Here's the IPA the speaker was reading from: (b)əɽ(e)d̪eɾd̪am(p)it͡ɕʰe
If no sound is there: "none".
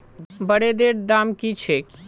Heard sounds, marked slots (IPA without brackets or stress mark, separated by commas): b, e, k